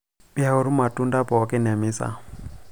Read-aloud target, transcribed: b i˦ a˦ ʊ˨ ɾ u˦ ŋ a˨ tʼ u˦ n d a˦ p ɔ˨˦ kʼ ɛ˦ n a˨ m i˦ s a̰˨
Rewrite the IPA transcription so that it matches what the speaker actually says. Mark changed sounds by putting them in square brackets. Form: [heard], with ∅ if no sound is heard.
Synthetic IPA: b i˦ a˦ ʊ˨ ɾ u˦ [m] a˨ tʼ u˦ n d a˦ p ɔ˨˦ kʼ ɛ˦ n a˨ m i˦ s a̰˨